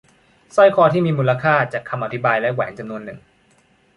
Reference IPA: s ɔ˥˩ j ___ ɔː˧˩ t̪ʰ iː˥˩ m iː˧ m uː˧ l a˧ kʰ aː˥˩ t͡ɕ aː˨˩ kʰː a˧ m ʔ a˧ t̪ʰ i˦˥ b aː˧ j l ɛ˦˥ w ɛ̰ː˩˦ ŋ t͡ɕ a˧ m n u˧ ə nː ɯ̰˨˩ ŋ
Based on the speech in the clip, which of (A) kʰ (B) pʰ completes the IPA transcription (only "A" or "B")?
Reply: A